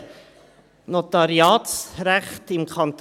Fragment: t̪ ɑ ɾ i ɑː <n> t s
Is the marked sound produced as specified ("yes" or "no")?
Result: no